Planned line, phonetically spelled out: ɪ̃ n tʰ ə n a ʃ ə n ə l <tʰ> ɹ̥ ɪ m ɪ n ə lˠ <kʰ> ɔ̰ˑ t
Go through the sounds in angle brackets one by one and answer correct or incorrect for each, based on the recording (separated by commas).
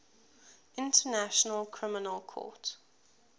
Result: incorrect, correct